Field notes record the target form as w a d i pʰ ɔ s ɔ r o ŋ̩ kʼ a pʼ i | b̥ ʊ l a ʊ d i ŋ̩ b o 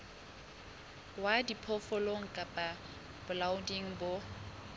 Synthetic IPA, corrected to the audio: w a d i pʰ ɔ f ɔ l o ŋ̩ kʼ a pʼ a | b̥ ʊ l a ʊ d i ŋ̩ b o